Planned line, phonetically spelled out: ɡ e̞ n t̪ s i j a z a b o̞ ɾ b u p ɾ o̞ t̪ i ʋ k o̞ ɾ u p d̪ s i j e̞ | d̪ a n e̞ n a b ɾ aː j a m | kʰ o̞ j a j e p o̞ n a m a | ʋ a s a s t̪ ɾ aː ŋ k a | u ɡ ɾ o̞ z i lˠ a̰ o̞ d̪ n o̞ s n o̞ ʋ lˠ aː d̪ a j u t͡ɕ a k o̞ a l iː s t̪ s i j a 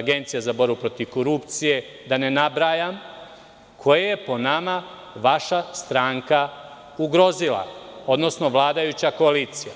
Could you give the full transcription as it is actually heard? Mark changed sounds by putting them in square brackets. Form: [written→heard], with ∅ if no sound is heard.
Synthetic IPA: ɡ e̞ n t̪ s i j a z a b o̞ ɾ b u p ɾ o̞ t̪ i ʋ k o̞ ɾ u p [d̪→t̪] s i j e̞ | d̪ a n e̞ n a b ɾ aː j a m | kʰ o̞ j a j e p o̞ n a m a | ʋ a [s→ʃ] a s t̪ ɾ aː ŋ k a | u ɡ ɾ o̞ z i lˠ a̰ o̞ d̪ n o̞ s n o̞ ʋ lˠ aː d̪ a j u t͡ɕ a k o̞ a l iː [s→∅] t̪ s i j a